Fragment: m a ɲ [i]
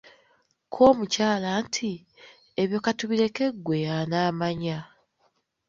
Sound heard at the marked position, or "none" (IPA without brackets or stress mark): a